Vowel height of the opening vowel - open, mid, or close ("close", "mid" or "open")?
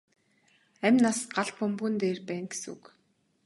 open